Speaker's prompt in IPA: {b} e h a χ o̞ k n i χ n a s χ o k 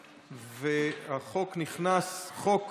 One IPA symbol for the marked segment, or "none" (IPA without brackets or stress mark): v